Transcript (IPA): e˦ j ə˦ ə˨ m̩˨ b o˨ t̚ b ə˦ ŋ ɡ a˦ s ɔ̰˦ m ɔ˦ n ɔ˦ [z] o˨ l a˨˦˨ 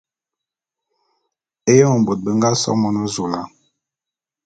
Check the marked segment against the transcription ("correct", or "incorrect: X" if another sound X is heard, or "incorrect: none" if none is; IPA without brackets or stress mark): correct